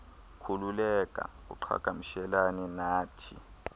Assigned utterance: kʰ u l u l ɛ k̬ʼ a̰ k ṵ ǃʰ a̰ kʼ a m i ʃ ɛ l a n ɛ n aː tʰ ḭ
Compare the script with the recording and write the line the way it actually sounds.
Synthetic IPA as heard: kʰ u l u l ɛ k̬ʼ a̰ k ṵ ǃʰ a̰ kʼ a m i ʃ ɛ l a n ɛ n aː tʰ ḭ